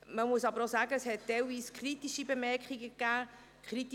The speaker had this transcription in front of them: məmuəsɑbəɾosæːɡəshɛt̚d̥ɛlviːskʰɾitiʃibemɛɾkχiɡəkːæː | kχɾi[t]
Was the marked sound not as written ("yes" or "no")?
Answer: no